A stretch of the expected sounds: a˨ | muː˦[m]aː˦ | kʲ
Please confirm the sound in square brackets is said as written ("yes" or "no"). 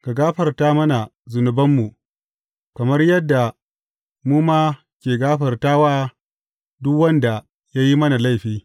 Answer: yes